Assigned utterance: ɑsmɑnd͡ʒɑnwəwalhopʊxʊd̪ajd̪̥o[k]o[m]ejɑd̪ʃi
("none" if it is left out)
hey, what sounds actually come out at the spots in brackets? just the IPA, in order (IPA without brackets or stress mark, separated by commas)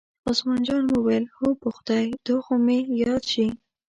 x, m